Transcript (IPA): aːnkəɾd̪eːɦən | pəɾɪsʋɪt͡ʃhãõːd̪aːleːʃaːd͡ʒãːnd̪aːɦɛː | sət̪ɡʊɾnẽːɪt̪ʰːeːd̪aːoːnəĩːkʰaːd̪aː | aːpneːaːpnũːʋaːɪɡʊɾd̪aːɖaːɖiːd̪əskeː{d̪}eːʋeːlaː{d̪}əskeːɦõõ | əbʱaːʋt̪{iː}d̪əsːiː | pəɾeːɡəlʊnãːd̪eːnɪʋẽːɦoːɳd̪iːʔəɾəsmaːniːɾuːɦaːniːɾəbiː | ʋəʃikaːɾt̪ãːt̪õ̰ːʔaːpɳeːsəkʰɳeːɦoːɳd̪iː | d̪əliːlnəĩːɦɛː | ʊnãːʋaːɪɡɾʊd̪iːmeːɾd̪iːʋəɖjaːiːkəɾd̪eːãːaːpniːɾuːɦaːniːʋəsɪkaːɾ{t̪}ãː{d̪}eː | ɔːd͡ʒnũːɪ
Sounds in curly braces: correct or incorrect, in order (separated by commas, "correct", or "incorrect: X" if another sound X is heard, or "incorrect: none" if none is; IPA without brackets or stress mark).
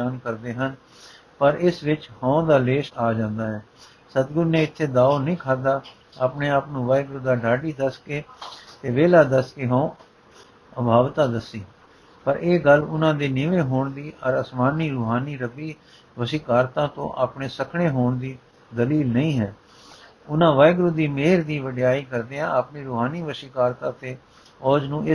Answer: incorrect: t̪, correct, incorrect: aː, correct, incorrect: t̪